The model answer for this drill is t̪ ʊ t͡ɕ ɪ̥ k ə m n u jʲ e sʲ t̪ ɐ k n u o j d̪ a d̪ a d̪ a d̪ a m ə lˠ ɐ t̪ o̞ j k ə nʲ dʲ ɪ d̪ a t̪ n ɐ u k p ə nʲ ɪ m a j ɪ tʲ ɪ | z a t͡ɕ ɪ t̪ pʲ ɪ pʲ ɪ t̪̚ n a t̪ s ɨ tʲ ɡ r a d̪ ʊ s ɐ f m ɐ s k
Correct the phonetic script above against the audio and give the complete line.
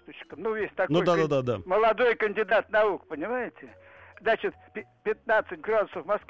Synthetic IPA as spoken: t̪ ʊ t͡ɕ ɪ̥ k ə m n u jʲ e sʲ t̪ ɐ k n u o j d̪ a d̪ a d̪ a d̪ a m ə lˠ ɐ d̪ o̞ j k ə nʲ dʲ ɪ d̪ a t̪ n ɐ u k p ə nʲ ɪ m a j ɪ tʲ ɪ | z a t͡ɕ ɪ t̪ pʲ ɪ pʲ ɪ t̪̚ n a t̪ s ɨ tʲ ɡ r a d̪ ʊ s ə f m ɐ s k